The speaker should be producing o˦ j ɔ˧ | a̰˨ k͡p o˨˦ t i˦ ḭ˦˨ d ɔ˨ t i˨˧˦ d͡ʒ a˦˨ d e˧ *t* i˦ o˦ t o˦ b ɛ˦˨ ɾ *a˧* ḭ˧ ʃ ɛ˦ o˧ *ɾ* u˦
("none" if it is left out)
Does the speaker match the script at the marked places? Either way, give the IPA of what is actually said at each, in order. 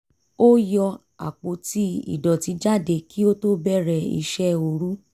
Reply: k, ɛ˧, ɾ

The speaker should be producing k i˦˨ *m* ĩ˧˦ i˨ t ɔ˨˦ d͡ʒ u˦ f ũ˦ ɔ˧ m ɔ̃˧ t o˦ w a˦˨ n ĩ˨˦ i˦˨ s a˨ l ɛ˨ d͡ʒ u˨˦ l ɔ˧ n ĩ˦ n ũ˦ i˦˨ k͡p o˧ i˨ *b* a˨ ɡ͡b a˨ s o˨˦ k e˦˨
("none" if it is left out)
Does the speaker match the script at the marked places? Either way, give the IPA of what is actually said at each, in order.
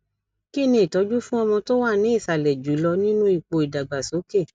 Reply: n, d

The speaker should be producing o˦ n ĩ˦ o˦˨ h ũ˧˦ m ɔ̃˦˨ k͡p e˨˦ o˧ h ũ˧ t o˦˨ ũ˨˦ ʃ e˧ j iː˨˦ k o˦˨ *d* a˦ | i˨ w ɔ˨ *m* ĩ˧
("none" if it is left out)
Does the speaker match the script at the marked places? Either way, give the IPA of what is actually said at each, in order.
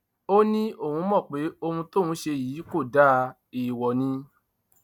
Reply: d, n

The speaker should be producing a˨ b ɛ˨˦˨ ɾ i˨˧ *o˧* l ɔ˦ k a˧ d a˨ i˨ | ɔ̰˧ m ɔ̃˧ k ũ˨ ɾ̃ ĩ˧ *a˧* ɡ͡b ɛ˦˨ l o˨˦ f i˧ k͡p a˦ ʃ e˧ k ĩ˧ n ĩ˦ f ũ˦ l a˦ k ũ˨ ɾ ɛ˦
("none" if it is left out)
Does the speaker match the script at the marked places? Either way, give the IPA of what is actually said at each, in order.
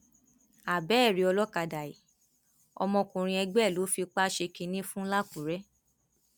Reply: ɔ˧, ɛ˧

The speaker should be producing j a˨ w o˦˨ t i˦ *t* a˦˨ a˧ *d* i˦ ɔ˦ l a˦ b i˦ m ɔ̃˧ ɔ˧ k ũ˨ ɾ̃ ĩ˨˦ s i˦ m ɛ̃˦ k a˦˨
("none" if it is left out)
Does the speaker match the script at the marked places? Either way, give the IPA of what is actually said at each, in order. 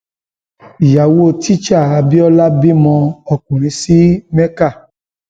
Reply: t͡ʃ, b

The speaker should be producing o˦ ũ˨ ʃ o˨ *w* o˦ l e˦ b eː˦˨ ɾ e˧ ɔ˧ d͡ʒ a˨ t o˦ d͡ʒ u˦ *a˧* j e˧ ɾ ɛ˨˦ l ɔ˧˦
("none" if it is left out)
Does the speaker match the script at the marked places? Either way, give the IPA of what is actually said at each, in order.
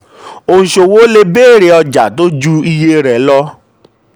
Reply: w, i˧

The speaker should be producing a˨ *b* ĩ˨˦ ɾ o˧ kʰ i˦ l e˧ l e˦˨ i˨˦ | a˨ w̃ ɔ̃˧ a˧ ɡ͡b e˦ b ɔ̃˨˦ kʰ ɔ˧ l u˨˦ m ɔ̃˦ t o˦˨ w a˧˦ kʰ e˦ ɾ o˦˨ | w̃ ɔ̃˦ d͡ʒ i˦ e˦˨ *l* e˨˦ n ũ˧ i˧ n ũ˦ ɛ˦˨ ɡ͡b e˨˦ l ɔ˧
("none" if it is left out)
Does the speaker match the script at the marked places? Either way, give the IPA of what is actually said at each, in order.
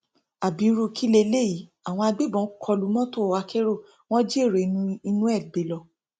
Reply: b, ɾ

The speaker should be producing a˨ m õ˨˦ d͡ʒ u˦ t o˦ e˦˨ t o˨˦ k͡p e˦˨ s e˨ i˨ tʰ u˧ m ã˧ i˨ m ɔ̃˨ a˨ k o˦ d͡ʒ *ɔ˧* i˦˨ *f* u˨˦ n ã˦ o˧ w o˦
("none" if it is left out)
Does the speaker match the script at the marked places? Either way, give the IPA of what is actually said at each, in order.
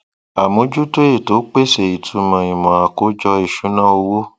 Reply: ɔ˧, ʃ

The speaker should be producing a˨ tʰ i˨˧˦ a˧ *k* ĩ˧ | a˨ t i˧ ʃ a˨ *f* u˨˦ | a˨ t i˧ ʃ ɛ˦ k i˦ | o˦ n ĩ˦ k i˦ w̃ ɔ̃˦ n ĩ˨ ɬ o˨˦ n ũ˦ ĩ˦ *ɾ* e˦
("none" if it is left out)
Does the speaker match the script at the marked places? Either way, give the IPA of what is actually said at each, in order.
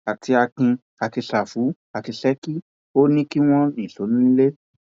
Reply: k, f, l

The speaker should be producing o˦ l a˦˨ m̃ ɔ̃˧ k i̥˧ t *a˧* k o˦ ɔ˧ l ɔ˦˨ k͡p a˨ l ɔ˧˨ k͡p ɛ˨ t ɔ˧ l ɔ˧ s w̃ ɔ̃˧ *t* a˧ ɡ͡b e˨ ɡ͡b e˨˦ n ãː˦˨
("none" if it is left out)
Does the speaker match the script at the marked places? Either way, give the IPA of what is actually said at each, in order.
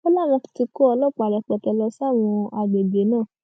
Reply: i˧, none

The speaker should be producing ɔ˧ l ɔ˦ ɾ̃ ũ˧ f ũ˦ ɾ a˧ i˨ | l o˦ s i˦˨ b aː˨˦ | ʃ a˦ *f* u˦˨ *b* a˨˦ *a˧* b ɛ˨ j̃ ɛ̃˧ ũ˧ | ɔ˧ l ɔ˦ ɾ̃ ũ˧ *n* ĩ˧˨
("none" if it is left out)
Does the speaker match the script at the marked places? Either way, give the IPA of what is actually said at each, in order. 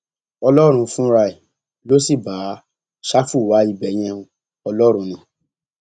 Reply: f, w, i˧, n

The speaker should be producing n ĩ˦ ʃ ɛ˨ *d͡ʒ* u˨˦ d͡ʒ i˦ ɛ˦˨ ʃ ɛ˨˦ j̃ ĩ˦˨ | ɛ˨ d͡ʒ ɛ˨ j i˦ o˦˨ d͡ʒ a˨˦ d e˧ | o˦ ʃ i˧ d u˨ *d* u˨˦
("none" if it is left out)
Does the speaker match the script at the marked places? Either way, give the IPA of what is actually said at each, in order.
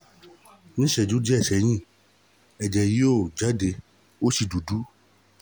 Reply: d͡ʒ, d

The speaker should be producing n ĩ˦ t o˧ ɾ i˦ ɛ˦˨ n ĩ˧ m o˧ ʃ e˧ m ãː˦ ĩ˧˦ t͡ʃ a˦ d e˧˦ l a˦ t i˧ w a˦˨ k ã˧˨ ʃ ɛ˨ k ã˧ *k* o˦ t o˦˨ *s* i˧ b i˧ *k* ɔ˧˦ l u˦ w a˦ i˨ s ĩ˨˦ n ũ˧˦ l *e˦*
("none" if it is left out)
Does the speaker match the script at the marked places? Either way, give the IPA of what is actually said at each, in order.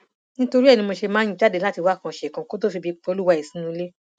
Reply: k, f, k͡p, e˦

